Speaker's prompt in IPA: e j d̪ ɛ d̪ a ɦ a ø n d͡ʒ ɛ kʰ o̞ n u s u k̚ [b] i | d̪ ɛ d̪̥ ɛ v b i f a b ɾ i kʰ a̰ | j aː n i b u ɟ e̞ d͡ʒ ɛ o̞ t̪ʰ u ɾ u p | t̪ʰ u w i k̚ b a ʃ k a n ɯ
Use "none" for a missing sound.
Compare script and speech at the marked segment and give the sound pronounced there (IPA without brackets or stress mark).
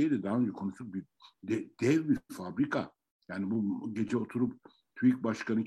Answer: b